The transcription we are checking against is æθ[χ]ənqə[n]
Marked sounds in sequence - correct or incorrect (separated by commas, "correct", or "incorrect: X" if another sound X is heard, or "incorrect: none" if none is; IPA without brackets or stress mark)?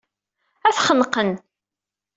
correct, correct